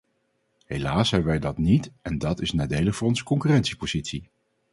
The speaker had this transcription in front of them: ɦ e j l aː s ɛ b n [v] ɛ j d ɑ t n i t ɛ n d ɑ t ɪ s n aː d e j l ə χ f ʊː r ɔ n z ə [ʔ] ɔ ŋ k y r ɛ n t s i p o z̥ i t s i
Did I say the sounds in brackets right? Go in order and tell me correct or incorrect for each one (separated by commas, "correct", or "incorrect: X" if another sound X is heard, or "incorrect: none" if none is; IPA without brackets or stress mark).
incorrect: ʋ, incorrect: k